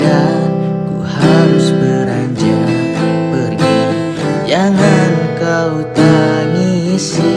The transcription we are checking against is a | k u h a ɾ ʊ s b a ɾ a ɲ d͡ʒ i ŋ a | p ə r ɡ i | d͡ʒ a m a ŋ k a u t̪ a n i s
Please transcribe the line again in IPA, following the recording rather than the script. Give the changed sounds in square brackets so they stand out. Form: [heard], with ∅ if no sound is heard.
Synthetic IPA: a | k u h a ɾ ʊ s b [ə] ɾ a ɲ d͡ʒ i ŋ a | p ə r ɡ i | d͡ʒ a [ŋ] a [n] k a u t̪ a n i s

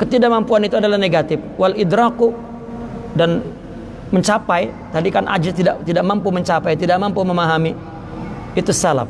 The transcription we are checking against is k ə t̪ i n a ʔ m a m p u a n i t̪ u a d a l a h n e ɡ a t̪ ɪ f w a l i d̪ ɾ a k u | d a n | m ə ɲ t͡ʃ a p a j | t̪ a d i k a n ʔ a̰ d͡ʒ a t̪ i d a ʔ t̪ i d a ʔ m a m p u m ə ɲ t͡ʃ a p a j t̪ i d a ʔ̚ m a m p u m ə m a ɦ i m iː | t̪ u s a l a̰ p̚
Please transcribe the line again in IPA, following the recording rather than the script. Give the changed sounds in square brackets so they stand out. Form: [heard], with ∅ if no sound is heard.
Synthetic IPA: k ə t̪ i [d] a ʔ m a m p u a n i t̪ u a d a l a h n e ɡ a t̪ ɪ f w a l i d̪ ɾ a k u | d a n | m ə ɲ t͡ʃ a p a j | t̪ a d i k a n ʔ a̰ d͡ʒ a t̪ i d a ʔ t̪ i d a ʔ m a m p u m ə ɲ t͡ʃ a p a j t̪ i d a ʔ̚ m a m p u m ə m a ɦ [a] m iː | t̪ u s a l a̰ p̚

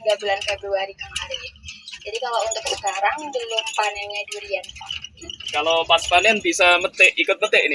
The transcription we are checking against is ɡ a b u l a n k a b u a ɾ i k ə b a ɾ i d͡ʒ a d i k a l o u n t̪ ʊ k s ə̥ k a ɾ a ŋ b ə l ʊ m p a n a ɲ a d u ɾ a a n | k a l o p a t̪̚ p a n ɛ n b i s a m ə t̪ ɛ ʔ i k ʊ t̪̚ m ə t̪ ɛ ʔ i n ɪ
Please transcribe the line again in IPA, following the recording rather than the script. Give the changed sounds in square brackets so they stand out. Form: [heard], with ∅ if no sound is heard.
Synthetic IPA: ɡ a b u l a n k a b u a ɾ i k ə [m] a ɾ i d͡ʒ a d i k a l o u n t̪ ʊ k s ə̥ k a ɾ a ŋ b ə l ʊ m p a n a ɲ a d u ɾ [i] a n | k a l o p a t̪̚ p a n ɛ n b i s a m ə t̪ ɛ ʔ i k ʊ t̪̚ m ə t̪ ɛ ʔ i n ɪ

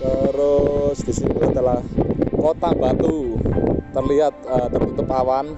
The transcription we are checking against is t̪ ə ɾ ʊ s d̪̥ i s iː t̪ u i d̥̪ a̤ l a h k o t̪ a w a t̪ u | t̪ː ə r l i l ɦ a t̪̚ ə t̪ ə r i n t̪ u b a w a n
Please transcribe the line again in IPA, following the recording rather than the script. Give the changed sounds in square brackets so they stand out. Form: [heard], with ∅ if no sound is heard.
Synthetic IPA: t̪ ə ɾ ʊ s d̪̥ i s [i] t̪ u [a] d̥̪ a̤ l a h k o t̪ a [b] a t̪ u | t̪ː ə r l i [∅] ɦ a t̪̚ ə t̪ ə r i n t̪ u [p] a w a n

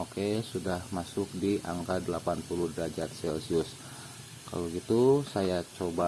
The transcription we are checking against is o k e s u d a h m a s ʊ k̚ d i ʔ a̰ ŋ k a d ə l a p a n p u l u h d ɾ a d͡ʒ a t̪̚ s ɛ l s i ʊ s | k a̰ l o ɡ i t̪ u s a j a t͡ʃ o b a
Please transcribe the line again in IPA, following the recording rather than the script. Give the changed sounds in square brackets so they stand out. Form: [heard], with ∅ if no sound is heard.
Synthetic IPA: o k e s u d a h m a s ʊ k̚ d i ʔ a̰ ŋ k a d ə l a p a n p u l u h d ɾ a d͡ʒ a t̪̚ s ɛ l s i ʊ s | k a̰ l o ɡ i t̪ u s a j a t͡ʃ o b a

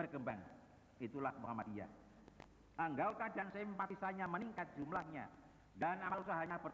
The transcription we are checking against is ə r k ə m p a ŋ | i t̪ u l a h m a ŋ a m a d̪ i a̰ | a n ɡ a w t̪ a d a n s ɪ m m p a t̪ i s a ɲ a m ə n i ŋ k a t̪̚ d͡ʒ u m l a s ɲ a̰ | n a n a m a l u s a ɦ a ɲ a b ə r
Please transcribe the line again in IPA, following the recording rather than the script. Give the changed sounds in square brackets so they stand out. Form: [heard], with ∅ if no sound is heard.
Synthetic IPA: ə r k ə m [b] a ŋ | i t̪ u l a h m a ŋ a m a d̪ i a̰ | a [ŋ] ɡ a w t̪ a d a n s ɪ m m p a t̪ i s a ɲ a m ə n i ŋ k a t̪̚ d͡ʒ u m l a [h] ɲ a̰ | [d] a n a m a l u s a ɦ a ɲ a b ə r

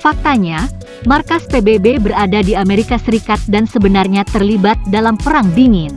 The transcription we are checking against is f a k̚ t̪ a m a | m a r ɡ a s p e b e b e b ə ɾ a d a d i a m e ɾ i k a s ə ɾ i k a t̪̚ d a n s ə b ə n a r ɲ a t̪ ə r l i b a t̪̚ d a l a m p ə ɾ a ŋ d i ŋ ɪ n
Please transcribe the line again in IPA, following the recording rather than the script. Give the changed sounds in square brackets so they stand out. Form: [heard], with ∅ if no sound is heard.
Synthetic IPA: f a k̚ t̪ a [ɲ] a | m a r [k] a s p e b e b e b ə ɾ a d a d i a m e ɾ i k a s ə ɾ i k a t̪̚ d a n s ə b ə n a r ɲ a t̪ ə r l i b a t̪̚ d a l a m p ə ɾ a ŋ d i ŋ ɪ n

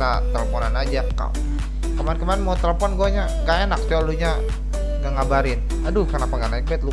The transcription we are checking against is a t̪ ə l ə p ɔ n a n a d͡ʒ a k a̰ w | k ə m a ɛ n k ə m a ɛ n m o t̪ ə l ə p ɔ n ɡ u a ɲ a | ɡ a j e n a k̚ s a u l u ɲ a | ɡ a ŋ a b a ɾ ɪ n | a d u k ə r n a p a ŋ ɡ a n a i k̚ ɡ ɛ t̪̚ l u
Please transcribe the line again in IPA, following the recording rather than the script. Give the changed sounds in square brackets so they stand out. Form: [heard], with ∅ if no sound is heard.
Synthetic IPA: a t̪ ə l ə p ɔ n a n a d͡ʒ a k a̰ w | k ə m a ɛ n k ə m a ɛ n m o t̪ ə l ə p ɔ n ɡ u a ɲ a | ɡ a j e n a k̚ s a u l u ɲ a | ɡ a ŋ a b a ɾ ɪ n | a d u k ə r n a p a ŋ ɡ a n a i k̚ [b] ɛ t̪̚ l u

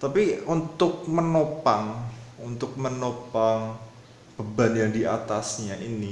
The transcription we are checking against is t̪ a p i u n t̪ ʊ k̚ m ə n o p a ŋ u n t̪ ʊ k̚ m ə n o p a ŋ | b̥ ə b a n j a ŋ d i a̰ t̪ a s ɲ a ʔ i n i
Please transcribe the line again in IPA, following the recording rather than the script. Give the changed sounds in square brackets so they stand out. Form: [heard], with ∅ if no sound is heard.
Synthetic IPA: t̪ a p i u n t̪ ʊ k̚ m ə n o p a ŋ u n t̪ ʊ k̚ m ə n o p a ŋ | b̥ ə b a n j a ŋ d i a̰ t̪ a s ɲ a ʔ i n i

